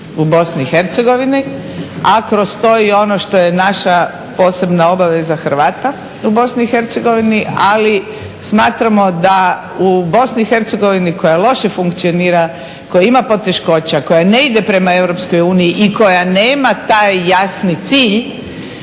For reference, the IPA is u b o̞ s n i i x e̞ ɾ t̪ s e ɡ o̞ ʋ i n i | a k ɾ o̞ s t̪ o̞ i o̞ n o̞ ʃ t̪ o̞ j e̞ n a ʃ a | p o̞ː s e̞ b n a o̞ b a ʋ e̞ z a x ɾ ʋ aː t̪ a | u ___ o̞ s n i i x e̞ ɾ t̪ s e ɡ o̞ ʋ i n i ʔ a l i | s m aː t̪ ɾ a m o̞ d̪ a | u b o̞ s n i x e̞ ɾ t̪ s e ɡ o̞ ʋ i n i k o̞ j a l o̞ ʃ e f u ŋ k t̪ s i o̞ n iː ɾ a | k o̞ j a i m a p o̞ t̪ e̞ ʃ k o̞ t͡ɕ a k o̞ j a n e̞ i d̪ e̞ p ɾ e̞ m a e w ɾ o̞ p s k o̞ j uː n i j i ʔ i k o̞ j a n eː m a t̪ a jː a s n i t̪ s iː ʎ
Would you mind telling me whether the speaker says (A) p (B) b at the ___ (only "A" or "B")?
B